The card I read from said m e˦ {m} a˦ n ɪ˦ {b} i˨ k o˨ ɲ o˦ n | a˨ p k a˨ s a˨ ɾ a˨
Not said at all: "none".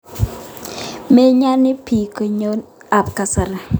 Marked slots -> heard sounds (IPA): ɲ, p

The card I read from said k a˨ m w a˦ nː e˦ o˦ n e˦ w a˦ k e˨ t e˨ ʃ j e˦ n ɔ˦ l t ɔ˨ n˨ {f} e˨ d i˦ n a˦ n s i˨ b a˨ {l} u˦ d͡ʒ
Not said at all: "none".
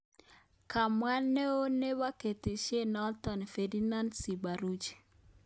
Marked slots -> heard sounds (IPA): f, ɾ

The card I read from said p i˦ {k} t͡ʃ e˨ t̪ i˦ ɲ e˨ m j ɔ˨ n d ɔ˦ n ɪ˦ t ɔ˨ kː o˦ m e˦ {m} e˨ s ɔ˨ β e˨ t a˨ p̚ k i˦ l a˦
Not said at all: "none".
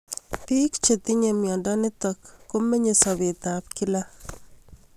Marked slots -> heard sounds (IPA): k, ɲ

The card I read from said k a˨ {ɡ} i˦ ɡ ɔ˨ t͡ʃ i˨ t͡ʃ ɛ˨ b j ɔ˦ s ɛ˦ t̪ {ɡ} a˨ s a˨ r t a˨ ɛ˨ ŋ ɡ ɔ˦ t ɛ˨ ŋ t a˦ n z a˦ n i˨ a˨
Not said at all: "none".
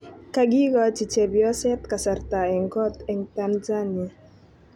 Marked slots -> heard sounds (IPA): ɡ, k

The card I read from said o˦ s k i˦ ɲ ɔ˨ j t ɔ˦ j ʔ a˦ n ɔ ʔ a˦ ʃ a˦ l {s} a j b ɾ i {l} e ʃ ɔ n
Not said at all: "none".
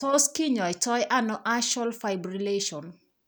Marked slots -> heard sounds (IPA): f, l

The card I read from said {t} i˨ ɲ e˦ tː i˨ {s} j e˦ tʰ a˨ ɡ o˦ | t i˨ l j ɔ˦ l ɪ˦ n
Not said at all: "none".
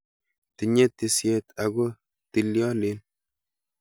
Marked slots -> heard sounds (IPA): t, s

